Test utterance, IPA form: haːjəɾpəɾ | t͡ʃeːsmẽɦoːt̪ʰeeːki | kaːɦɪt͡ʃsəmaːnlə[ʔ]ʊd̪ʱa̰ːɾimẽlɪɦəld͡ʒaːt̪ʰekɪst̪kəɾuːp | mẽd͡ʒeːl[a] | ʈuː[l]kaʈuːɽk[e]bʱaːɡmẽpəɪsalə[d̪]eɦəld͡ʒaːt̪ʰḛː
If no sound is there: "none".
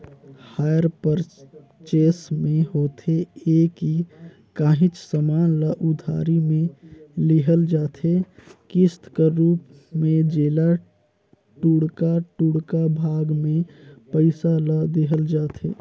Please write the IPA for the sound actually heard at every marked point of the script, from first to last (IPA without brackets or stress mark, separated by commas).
ʔ, a, ɽ, a, d̪